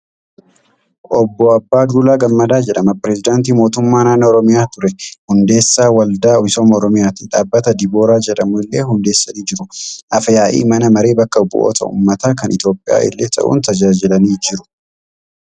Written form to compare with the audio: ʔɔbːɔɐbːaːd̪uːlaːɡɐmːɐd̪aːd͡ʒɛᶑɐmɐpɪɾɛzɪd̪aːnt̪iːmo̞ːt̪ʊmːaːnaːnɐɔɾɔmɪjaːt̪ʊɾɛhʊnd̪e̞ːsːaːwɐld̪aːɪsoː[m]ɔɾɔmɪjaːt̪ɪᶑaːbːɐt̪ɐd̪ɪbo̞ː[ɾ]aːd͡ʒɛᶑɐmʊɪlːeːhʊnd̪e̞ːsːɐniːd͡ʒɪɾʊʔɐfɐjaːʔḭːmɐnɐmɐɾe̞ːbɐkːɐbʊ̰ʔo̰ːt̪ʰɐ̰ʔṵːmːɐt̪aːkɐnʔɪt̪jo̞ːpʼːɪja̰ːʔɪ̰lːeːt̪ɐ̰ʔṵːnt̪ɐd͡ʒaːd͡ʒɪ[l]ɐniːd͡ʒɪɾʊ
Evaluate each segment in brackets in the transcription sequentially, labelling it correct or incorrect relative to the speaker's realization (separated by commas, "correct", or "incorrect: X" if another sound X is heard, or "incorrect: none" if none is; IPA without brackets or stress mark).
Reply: correct, correct, correct